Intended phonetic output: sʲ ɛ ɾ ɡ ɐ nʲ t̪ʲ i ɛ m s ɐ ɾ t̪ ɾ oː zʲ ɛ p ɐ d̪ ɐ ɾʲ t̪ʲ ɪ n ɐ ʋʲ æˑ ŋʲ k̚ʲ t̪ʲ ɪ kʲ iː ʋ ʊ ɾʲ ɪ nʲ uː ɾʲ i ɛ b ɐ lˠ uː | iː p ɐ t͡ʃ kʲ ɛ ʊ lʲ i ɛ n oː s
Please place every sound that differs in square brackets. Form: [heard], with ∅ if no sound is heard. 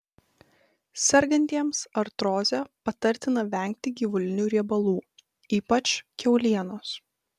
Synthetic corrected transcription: sʲ ɛ ɾ ɡ ɐ nʲ t̪ʲ i ɛ m s ɐ ɾ t̪ ɾ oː zʲ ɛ p ɐ [t̪] ɐ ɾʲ t̪ʲ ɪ n ɐ ʋʲ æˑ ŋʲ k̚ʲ t̪ʲ ɪ [ɡʲ] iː ʋ ʊ [lʲ] ɪ nʲ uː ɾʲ i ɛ b ɐ lˠ uː | iː p ɐ t͡ʃ kʲ ɛ ʊ lʲ i ɛ n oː s